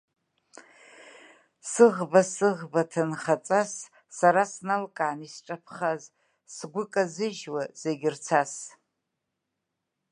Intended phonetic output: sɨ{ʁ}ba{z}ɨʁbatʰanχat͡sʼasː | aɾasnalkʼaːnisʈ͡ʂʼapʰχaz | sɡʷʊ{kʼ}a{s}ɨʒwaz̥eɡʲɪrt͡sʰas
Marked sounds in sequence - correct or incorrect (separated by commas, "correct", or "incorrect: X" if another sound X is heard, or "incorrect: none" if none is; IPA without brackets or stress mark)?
correct, incorrect: s, correct, incorrect: z